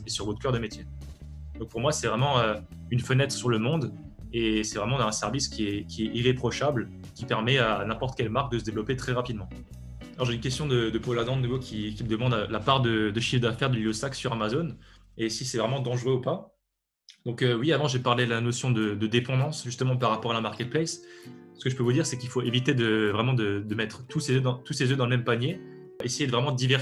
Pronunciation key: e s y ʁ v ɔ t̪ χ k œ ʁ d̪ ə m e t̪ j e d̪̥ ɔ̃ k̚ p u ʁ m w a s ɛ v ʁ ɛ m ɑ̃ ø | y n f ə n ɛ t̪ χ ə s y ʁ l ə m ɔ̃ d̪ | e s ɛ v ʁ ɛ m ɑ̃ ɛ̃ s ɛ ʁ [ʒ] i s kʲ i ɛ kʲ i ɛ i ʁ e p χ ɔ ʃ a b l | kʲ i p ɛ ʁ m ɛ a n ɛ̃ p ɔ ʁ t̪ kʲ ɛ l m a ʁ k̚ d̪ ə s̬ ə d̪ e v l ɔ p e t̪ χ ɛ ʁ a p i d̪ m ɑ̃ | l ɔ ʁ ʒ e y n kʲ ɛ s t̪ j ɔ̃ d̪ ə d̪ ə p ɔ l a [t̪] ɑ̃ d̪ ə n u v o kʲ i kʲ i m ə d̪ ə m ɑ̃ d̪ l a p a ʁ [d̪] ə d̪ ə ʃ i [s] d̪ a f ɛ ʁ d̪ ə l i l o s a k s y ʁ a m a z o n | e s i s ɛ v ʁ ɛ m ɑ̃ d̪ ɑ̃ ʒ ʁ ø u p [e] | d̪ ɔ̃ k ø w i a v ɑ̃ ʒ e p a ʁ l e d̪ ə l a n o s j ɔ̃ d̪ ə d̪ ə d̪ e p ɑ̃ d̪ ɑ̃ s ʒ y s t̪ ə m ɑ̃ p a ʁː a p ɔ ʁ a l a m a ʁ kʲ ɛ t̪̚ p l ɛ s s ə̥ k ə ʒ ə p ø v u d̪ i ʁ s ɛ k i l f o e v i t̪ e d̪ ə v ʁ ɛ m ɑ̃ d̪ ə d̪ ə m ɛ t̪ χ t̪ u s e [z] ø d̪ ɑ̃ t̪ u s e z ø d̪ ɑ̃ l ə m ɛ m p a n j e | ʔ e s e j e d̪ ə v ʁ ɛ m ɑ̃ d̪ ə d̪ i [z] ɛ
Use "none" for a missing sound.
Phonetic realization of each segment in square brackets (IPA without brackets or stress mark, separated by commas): v, d̪, d̪, f, a, z, v